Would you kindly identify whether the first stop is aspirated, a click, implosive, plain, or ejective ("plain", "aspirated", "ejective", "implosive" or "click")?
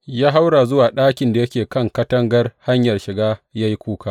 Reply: implosive